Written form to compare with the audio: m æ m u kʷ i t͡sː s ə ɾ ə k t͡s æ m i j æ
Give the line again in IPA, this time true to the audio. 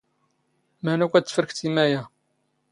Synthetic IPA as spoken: m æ n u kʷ æ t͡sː f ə ɾ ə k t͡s i m æ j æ